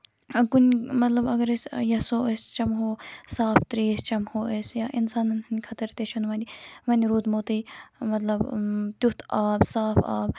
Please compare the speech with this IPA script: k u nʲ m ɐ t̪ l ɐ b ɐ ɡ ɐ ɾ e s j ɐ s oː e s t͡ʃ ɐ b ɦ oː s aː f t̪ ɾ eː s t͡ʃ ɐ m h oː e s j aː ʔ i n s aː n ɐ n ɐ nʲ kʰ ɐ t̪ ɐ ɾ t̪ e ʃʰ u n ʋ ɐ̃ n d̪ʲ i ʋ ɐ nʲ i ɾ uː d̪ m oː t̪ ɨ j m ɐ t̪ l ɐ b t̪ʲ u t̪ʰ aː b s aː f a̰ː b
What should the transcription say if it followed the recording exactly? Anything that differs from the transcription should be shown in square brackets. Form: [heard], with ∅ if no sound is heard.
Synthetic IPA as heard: k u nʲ m ɐ t̪ l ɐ b ɐ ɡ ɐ ɾ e s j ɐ s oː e s t͡ʃ ɐ [m] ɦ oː s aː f t̪ ɾ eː s t͡ʃ ɐ m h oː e s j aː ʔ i n s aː n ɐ n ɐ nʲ kʰ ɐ t̪ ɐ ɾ t̪ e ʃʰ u n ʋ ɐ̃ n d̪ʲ i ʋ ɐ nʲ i ɾ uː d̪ m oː t̪ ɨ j m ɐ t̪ l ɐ b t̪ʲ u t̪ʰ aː b s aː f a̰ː b